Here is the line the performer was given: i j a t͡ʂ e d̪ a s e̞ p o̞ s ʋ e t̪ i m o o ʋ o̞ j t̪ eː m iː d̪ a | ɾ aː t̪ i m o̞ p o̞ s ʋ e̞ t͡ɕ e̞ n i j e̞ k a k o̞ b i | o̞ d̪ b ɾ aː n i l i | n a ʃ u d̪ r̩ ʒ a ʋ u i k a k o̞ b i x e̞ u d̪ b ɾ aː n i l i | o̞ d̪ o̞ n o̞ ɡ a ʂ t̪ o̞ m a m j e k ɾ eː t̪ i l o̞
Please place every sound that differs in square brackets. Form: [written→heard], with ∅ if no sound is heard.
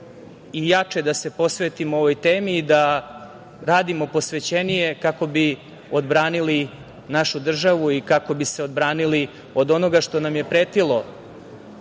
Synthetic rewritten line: i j a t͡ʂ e d̪ a s e̞ p o̞ s ʋ e t̪ i m o o ʋ o̞ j t̪ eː m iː d̪ a | ɾ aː [t̪→d̪] i m o̞ p o̞ s ʋ e̞ t͡ɕ e̞ n i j e̞ k a k o̞ b i | o̞ d̪ b ɾ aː n i l i | n a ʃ u d̪ r̩ ʒ a ʋ u i k a k o̞ b i [x→s] e̞ [u→o] d̪ b ɾ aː n i l i | o̞ d̪ o̞ n o̞ ɡ a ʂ t̪ o̞ [m→n] a m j e [k→p] ɾ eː t̪ i l o̞